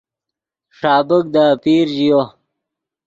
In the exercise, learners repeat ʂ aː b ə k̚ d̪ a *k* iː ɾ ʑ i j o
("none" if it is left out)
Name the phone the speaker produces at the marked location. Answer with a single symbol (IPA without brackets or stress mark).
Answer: p